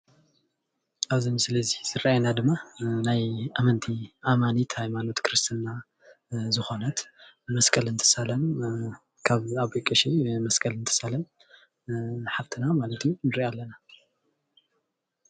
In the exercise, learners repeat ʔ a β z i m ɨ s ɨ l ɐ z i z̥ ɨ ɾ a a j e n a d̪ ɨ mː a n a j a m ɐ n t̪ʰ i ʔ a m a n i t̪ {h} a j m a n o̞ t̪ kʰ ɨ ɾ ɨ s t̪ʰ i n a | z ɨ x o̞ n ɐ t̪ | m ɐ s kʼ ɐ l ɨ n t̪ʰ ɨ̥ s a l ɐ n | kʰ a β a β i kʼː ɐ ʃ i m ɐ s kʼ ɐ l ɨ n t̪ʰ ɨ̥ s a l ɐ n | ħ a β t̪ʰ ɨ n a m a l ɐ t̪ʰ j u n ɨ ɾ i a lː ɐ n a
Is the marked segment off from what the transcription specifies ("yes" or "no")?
no